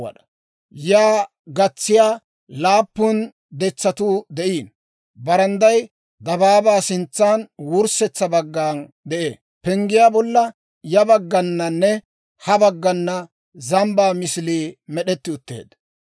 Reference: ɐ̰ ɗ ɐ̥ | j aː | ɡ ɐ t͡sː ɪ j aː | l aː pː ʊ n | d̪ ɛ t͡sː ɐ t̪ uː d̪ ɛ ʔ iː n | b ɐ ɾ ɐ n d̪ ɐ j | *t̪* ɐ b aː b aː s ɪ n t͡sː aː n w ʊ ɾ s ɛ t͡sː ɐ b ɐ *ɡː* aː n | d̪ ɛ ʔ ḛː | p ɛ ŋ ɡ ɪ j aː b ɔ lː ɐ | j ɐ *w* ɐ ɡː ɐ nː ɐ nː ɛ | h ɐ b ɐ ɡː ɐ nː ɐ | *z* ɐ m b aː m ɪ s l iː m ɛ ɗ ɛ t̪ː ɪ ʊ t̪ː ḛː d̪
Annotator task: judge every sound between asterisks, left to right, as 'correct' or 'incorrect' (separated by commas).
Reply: incorrect, correct, incorrect, correct